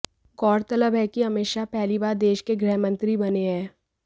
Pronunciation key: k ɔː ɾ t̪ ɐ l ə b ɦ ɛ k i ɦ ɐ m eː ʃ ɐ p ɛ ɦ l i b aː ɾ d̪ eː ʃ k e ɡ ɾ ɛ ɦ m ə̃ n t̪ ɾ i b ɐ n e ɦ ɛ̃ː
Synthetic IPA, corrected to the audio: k ɔː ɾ t̪ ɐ l ə b ɦ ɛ k i ɦ ɐ m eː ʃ a p ɛ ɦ l i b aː ɾ d̪ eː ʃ k e ɡ ɾ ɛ ɦ m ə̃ n t̪ ɾ i b ɐ n e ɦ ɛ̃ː